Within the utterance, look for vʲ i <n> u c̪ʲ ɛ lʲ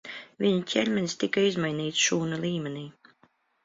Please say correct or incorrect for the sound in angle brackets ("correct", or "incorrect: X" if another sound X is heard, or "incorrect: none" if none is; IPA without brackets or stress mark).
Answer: incorrect: ɲ